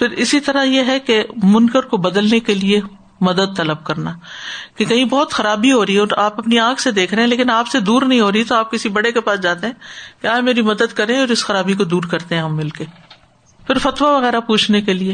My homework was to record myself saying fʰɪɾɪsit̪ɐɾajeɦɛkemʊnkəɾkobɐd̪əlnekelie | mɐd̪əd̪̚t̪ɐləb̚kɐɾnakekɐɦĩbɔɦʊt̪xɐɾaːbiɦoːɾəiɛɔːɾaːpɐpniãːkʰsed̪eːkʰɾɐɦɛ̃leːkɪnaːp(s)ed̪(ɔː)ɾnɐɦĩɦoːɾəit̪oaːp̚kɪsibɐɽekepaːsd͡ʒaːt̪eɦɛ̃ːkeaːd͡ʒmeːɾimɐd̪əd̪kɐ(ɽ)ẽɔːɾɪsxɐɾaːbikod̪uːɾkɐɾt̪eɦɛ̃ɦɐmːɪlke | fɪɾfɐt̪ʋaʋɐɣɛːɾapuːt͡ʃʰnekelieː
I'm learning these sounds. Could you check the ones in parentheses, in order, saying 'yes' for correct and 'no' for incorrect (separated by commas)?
yes, no, no